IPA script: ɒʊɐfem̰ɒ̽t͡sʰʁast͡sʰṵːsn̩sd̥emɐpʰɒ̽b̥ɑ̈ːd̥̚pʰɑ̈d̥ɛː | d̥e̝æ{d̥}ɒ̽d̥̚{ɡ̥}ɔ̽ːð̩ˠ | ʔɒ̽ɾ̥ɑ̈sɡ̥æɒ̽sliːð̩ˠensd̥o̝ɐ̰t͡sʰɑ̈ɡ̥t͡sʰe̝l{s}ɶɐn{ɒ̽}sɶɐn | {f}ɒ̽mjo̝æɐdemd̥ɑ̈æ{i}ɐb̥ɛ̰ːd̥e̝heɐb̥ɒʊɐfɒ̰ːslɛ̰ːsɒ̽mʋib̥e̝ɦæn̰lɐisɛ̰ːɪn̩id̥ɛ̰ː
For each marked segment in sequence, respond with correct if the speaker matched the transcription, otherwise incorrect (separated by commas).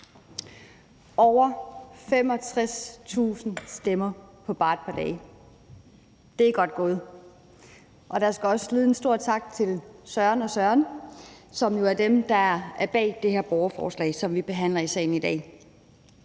incorrect, correct, correct, correct, incorrect, incorrect